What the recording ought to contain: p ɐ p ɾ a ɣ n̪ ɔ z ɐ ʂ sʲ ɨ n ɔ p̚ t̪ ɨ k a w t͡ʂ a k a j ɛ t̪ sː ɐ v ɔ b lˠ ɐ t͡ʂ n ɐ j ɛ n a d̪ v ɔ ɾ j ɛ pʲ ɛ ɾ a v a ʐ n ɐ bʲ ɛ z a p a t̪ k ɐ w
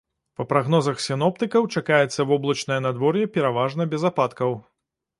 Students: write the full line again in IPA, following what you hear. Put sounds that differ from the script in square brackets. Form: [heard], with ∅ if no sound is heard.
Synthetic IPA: p ɐ p ɾ a ɣ n̪ ɔ z ɐ [x] sʲ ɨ n ɔ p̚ t̪ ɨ k [ɐ] w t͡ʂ a k a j ɛ t̪ sː ɐ v ɔ b lˠ ɐ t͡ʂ n ɐ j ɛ n a d̪ v ɔ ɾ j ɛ pʲ ɛ ɾ a v a ʐ n ɐ bʲ ɛ z a p a t̪ k ɐ w